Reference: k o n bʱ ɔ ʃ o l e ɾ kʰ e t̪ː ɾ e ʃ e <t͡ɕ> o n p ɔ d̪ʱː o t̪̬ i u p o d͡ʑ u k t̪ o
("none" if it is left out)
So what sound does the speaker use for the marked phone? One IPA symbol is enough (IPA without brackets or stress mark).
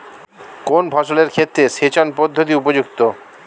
t͡ɕ